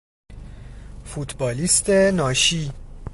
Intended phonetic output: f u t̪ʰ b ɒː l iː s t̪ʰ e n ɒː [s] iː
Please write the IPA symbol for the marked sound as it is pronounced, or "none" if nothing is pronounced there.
ʃ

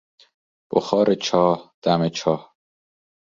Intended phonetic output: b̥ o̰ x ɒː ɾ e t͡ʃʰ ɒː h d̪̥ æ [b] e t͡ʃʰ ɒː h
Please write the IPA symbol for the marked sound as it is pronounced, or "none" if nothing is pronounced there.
m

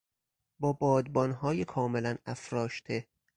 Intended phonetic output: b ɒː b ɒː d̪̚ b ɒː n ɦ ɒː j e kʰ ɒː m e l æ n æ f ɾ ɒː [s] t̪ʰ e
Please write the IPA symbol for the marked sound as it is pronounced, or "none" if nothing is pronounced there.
ʃ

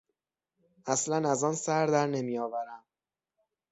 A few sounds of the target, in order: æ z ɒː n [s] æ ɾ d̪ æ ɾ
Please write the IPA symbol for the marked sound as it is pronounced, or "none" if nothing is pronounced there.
s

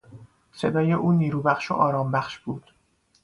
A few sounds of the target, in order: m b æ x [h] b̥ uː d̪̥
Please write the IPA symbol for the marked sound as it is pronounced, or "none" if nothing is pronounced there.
ʃ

